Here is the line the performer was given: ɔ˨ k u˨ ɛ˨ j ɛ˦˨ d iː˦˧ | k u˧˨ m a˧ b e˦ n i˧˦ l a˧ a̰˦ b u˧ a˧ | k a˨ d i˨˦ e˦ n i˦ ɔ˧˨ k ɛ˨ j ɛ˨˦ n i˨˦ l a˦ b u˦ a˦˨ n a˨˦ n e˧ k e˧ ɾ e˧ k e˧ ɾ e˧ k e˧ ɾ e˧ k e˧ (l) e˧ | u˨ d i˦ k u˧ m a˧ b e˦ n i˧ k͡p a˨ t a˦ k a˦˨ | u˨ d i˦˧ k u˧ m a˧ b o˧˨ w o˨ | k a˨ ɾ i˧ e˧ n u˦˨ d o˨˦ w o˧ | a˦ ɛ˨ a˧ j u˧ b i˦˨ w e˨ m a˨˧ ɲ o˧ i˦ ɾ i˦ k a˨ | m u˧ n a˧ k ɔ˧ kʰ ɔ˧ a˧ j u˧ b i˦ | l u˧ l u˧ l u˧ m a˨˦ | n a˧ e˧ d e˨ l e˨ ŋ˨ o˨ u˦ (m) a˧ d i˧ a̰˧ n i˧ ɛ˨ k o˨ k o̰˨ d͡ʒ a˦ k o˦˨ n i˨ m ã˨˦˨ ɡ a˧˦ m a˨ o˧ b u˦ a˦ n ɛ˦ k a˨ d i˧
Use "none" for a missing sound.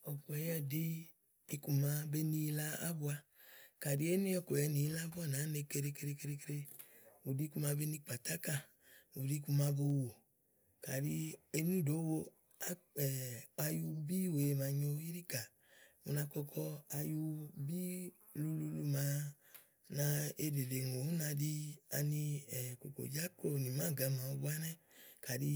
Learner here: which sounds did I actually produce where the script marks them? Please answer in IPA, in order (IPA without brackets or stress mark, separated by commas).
ɾ, n